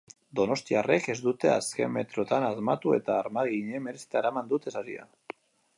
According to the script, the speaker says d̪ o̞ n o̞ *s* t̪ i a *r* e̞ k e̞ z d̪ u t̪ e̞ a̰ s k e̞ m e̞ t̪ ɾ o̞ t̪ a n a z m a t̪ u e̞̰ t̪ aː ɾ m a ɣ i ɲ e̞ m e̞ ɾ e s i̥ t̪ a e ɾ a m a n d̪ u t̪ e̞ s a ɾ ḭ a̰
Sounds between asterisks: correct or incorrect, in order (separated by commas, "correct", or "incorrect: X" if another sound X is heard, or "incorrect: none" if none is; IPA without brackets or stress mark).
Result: correct, correct